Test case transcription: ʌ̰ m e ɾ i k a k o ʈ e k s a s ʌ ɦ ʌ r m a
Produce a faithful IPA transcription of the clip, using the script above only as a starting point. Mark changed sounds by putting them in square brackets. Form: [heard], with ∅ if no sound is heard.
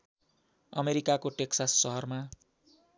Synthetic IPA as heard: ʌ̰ m e ɾ i k a k o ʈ e k s a [sː] ʌ ɦ ʌ r m a